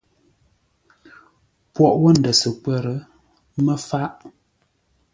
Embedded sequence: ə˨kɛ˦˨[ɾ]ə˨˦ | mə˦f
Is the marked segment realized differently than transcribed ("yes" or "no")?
no